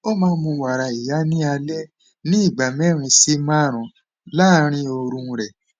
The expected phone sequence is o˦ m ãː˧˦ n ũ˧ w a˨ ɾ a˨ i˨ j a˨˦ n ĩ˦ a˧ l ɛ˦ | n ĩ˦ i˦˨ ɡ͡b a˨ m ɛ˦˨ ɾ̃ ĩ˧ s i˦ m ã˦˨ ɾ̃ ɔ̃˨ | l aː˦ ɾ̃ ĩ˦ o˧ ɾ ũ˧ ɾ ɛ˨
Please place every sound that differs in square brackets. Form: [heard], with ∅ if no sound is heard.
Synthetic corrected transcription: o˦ m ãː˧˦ [m] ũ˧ w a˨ ɾ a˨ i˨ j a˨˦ n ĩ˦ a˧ l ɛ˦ | n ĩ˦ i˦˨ ɡ͡b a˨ m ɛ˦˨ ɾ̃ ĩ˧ s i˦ m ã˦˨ ɾ̃ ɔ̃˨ | l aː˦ ɾ̃ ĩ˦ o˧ ɾ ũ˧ ɾ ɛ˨